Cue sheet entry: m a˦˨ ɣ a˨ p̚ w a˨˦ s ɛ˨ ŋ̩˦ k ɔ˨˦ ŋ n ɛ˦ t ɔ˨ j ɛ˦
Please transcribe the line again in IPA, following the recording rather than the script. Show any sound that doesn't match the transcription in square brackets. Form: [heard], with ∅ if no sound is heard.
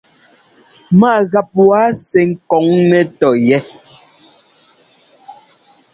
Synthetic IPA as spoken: m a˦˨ ɣ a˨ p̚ w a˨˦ s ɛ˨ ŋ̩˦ k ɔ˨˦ ŋ n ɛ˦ t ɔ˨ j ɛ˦